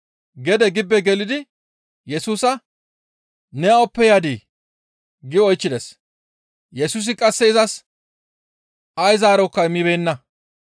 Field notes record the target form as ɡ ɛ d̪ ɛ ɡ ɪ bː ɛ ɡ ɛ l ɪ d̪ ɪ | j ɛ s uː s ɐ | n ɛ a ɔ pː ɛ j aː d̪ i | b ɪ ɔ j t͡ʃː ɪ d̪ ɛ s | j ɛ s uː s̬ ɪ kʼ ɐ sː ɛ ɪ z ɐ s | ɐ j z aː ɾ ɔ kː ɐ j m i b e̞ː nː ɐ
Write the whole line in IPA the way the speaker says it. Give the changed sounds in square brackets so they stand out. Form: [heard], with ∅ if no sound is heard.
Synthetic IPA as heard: ɡ ɛ d̪ ɛ ɡ ɪ bː ɛ ɡ ɛ l ɪ d̪ ɪ | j ɛ s uː s ɐ | n ɛ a ɔ pː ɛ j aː d̪ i | [ɡ] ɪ ɔ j t͡ʃː ɪ d̪ ɛ s | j ɛ s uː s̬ ɪ kʼ ɐ sː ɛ ɪ z ɐ s | ɐ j z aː ɾ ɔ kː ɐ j m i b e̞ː nː ɐ